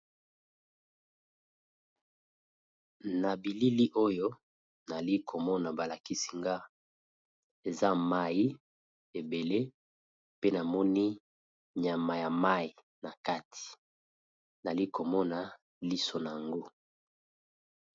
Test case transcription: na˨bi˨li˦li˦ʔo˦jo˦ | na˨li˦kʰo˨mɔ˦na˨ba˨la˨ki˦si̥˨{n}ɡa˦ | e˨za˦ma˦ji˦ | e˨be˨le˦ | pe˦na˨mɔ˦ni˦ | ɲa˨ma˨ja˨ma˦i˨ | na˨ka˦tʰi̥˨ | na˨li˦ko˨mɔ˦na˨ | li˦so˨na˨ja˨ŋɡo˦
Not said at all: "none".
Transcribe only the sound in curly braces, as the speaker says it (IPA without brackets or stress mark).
ŋ